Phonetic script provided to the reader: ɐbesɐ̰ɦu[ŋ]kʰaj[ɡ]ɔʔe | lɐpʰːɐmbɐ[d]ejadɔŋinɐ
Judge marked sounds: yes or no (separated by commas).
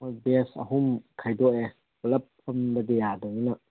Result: no, no, yes